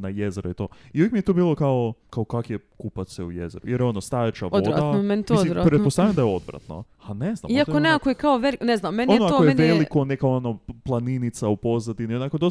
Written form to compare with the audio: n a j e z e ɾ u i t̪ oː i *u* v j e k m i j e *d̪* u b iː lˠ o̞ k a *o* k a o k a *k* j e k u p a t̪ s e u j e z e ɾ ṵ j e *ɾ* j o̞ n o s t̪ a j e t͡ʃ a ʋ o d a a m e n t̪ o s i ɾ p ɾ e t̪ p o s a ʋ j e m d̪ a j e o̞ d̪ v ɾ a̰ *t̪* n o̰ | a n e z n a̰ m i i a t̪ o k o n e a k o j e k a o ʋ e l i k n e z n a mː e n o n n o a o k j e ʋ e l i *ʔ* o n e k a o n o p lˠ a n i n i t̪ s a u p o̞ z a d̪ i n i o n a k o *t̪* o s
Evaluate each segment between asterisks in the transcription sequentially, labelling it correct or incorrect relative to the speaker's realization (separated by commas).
correct, incorrect, correct, correct, correct, correct, incorrect, incorrect